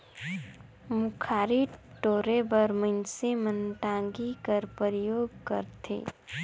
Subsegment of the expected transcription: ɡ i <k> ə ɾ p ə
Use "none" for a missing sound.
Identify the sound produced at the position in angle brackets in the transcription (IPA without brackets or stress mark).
k